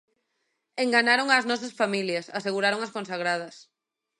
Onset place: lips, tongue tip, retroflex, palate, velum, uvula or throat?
velum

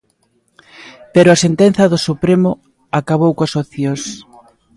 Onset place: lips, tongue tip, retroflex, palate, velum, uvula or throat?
lips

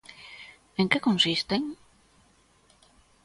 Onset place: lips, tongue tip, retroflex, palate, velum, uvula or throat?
velum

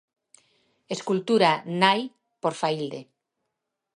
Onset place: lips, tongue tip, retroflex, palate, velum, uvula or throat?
tongue tip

